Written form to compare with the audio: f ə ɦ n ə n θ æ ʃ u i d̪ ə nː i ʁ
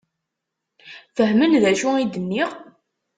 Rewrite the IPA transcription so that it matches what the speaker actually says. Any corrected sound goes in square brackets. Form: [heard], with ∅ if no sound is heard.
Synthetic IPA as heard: f ə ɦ [m] ə n [ð] æ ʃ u i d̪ ə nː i ʁ